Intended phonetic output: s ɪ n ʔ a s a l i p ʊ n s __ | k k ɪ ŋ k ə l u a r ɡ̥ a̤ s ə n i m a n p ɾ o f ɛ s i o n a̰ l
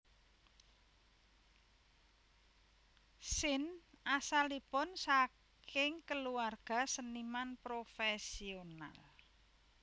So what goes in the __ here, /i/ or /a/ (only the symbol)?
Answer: a